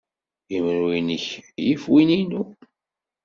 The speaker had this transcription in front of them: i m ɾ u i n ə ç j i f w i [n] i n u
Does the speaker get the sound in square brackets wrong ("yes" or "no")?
no